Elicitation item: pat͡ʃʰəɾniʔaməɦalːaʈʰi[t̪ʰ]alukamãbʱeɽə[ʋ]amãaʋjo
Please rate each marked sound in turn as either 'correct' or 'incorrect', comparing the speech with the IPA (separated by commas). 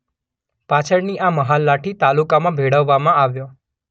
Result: incorrect, incorrect